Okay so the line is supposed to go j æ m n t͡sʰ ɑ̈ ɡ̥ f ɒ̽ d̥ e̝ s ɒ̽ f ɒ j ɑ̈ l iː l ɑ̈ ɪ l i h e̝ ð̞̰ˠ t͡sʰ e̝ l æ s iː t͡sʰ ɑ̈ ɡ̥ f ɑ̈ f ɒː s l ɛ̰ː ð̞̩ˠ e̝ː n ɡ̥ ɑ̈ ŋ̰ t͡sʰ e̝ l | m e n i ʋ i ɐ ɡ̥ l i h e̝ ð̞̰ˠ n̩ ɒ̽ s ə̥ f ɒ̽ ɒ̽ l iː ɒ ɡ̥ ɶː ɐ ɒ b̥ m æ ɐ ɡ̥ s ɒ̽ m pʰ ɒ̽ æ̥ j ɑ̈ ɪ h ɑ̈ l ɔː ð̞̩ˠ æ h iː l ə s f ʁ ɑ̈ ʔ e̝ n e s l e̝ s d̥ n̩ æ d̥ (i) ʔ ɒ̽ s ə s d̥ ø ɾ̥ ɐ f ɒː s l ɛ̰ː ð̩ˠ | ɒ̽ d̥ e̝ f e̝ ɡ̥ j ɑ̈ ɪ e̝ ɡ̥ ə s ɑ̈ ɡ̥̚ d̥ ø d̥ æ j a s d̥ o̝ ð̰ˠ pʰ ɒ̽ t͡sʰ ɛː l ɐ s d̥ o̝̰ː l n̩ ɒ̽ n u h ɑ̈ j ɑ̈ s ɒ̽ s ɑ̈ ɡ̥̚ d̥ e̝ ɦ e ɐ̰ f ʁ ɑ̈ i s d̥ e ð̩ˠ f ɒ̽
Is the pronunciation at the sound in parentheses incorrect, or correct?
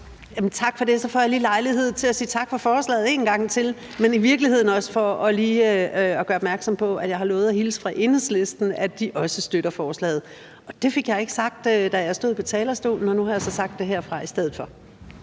correct